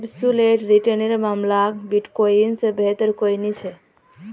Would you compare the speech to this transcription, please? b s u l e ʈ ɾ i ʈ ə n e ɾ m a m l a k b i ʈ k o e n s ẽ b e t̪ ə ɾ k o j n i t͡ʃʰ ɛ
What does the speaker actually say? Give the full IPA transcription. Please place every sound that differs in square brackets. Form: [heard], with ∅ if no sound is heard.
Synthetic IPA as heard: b s u l e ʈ ɾ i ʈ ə n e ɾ m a m l a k b i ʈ k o [i] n s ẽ b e t̪ ə ɾ k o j n i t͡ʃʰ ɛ